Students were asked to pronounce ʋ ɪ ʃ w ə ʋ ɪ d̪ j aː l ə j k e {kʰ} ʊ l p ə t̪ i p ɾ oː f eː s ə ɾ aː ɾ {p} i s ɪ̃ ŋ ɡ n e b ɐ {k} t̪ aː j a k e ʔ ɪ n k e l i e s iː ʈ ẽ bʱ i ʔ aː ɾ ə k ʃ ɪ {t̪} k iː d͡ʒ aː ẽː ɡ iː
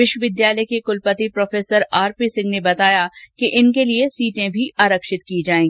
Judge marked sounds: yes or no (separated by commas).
no, yes, no, yes